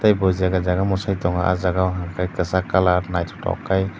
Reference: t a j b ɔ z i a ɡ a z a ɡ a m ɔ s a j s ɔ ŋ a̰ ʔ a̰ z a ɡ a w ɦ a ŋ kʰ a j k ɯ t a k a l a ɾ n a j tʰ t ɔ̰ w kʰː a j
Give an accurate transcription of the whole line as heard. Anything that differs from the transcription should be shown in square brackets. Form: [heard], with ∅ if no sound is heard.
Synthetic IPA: t a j b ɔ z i a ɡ a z a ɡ a m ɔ s a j [t] ɔ ŋ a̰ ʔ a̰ z a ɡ a w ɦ a ŋ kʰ a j k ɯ [s] a k a l a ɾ n a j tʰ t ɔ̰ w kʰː a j